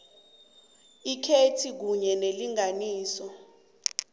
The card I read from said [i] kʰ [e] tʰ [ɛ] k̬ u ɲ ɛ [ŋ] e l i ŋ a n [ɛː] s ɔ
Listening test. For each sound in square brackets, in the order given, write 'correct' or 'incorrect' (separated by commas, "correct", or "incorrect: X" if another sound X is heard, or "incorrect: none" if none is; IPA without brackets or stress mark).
correct, correct, incorrect: i, incorrect: n, incorrect: iː